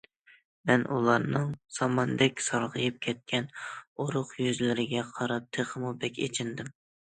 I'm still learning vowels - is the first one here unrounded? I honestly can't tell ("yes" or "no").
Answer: yes